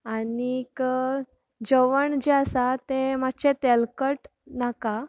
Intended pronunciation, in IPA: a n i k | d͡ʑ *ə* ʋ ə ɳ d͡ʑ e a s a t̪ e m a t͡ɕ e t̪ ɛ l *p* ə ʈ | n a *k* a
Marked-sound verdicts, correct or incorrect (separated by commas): correct, incorrect, correct